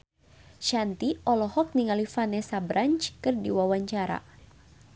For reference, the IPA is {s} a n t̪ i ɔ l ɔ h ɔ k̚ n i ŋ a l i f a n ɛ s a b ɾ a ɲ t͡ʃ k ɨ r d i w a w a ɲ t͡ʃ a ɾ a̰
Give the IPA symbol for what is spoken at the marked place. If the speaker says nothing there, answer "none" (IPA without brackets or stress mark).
ʃ